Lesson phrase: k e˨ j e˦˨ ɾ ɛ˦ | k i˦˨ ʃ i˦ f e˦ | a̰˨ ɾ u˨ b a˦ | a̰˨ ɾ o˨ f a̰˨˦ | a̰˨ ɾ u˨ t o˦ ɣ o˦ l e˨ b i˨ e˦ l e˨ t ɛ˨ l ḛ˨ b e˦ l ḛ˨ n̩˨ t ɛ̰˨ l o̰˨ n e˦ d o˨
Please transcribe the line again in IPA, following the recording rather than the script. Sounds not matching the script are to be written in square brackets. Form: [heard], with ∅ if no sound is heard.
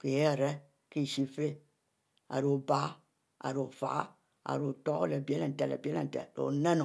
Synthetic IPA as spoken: k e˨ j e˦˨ ɾ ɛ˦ | k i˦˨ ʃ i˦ f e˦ | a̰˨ ɾ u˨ b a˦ | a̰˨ ɾ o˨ f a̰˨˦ | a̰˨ ɾ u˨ t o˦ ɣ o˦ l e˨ b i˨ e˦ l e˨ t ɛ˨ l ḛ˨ b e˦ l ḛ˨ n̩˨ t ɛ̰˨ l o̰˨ n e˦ [n] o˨